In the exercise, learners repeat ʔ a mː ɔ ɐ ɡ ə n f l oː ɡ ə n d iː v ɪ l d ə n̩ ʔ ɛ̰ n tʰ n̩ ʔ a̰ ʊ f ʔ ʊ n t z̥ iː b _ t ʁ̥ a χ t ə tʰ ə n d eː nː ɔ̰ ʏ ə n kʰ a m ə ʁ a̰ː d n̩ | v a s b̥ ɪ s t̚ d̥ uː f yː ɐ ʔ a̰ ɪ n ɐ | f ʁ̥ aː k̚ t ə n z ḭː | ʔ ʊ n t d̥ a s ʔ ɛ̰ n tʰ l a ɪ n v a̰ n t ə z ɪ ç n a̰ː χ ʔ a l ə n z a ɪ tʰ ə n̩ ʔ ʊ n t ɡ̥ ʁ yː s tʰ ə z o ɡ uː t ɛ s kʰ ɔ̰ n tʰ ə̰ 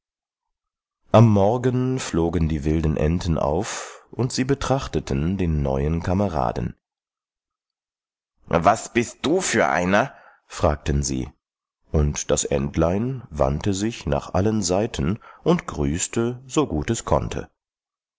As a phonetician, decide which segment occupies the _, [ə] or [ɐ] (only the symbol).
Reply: ə